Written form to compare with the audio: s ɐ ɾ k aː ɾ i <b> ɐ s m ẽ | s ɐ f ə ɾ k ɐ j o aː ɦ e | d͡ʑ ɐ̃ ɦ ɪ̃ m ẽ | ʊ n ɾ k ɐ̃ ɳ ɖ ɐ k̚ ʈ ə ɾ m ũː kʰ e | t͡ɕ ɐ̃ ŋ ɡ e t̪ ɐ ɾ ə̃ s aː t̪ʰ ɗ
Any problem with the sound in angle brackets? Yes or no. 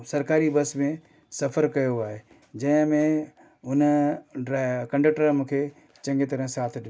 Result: no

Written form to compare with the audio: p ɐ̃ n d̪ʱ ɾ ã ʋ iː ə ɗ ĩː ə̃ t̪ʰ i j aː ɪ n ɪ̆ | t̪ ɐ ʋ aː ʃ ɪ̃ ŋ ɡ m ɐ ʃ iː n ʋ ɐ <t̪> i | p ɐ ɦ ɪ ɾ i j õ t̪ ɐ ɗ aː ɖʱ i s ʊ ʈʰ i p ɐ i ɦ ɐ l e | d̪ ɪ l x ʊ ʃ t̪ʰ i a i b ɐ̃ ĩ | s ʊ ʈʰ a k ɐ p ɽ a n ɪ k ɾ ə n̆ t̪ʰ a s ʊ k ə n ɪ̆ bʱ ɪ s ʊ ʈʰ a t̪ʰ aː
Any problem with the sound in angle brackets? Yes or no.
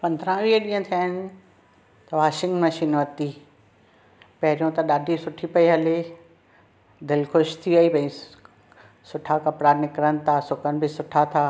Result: no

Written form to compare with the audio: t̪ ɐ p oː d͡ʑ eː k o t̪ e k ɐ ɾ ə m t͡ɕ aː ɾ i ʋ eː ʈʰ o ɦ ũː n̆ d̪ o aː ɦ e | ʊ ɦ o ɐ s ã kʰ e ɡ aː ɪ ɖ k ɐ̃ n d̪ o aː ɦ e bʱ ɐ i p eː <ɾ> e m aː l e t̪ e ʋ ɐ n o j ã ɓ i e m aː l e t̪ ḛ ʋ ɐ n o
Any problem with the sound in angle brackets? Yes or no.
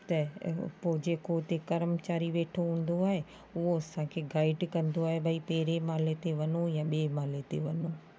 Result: no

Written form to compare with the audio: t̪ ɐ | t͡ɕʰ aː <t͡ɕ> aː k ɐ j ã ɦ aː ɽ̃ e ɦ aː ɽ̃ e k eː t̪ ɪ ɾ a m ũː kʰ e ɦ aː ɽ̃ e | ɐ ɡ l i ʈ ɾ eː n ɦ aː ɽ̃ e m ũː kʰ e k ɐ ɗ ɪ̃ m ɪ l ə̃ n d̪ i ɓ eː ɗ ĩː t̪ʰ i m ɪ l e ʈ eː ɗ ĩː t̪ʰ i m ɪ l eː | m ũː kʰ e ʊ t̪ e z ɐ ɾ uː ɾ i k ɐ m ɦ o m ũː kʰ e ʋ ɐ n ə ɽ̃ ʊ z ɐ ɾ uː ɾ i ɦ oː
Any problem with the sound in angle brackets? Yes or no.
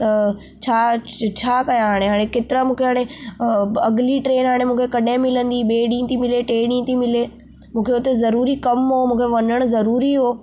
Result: yes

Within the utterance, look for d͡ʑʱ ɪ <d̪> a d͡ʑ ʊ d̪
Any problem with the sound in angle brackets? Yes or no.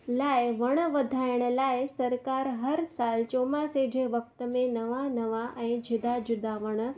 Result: no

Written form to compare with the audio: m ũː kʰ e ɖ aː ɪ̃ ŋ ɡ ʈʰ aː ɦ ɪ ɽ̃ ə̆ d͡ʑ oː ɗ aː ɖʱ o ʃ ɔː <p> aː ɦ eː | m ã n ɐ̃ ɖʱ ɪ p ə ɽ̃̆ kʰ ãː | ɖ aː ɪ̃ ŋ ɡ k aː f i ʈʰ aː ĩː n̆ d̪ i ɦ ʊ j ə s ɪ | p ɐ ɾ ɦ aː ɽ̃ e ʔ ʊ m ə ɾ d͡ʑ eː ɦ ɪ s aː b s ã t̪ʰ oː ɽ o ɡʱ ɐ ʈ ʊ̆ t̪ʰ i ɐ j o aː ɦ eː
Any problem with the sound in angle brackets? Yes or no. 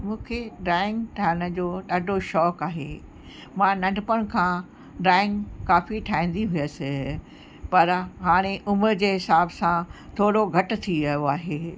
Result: yes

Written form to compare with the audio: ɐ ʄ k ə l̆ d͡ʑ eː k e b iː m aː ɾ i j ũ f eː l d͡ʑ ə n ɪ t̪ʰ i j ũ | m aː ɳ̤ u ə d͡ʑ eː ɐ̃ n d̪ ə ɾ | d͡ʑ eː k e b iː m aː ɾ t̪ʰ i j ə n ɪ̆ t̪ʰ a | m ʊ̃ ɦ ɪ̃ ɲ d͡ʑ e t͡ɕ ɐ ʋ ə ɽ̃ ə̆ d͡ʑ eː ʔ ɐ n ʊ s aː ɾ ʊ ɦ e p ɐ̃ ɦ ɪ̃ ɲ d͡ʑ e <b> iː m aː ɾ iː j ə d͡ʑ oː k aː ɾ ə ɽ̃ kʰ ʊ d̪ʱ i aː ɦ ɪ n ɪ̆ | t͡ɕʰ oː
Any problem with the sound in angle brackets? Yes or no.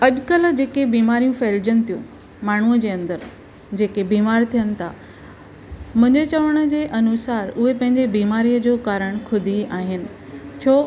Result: no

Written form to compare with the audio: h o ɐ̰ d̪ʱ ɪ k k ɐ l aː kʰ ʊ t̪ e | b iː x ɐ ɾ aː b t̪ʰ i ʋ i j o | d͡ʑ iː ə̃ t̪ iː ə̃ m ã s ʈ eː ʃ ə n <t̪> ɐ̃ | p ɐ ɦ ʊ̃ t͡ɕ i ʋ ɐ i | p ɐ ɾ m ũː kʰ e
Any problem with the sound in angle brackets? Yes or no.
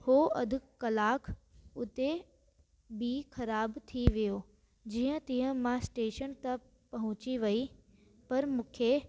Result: no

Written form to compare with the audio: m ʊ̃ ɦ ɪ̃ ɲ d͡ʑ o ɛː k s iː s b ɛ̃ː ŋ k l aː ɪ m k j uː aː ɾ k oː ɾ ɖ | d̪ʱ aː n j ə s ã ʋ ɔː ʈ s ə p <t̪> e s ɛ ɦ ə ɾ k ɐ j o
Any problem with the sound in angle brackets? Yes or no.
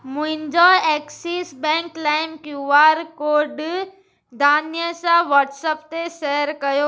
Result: no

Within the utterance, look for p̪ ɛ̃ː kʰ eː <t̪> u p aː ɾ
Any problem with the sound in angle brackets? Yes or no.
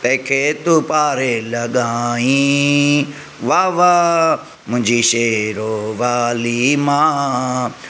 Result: no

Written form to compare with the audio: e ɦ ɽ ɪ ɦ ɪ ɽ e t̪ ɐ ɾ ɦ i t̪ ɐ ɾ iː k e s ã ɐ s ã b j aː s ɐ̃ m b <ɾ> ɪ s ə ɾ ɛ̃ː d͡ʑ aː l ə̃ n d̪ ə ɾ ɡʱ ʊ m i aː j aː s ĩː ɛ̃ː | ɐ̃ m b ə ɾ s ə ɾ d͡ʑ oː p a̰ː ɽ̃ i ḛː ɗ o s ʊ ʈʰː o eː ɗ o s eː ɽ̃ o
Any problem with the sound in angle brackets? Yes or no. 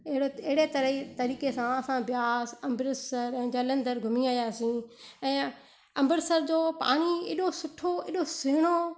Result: no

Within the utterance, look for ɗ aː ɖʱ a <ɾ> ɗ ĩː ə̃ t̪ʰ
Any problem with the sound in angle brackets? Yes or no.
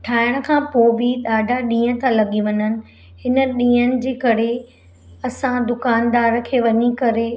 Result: yes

